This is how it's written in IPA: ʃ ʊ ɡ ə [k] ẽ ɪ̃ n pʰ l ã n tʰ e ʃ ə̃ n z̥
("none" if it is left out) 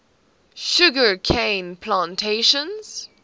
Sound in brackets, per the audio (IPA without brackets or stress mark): kʰ